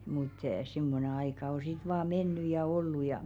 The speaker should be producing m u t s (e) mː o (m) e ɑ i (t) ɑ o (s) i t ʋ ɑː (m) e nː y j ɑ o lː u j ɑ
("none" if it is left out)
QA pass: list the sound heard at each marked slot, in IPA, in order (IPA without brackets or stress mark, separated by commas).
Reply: i, n, k, s, m